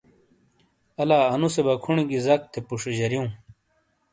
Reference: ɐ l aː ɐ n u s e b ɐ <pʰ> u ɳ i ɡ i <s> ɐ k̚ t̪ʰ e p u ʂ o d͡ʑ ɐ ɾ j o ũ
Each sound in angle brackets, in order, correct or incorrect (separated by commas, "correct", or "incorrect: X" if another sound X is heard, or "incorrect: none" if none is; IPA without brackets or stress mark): incorrect: kʰ, incorrect: z